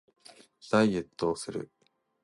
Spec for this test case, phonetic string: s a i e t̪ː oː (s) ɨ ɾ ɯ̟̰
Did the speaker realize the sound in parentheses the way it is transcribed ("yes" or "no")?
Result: yes